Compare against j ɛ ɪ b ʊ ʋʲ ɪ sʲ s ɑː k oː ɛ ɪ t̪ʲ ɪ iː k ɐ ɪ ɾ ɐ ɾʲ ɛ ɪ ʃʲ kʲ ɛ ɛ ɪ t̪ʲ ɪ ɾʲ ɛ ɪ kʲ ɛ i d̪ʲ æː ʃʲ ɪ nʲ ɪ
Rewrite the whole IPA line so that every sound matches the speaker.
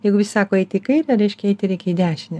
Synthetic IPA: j ɛ ɪ ɡ ʊ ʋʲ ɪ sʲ s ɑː k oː ɛ ɪ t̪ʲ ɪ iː k ɐ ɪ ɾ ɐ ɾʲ ɛ ɪ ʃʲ kʲ ɛ ɛ ɪ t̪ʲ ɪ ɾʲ ɛ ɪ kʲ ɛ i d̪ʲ æː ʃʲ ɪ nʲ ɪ